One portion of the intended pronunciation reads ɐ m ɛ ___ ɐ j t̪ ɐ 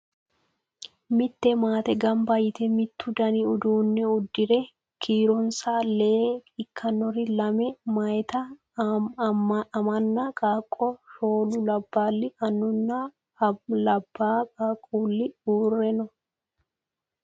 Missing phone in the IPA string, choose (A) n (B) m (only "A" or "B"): B